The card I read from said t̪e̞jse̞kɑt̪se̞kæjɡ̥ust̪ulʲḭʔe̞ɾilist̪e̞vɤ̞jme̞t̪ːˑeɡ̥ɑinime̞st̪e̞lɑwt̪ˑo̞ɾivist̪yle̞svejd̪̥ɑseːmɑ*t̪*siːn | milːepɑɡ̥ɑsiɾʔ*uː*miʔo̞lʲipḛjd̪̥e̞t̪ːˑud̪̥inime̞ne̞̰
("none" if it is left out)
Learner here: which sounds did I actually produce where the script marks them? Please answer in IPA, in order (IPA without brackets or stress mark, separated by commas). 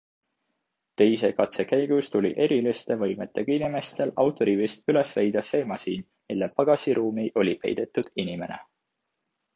none, uː